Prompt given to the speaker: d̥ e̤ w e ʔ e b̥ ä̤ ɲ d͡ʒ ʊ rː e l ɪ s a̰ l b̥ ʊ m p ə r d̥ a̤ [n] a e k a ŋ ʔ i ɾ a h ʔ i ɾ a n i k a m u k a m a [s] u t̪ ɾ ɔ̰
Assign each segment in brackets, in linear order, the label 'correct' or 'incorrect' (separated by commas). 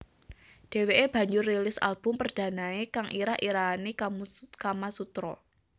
correct, correct